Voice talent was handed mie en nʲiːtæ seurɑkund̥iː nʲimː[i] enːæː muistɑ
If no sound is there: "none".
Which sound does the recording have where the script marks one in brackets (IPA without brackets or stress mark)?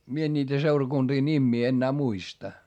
iː